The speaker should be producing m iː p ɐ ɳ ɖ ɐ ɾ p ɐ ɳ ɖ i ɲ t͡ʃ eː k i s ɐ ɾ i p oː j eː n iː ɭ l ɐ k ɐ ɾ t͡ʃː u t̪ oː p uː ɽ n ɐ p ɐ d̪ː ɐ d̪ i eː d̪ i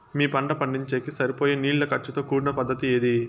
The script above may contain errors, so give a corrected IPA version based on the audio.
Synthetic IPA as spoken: m iː p ɐ ɳ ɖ ɐ p ɐ ɳ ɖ i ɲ t͡ʃ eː k i s ɐ ɾ i p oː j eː n iː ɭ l ɐ k ɐ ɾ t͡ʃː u t̪ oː k uː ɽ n ɐ p ɐ d̪ː ɐ t̪ i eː d̪ i

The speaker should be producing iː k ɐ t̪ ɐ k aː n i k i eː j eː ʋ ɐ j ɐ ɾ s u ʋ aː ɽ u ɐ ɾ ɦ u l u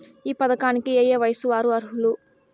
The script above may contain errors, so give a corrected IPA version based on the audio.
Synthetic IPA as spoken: iː p ɐ d̪ ɐ k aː n i k i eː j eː ʋ ɐ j ɐ s u ʋ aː ɾ u ɐ ɾ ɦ u l u

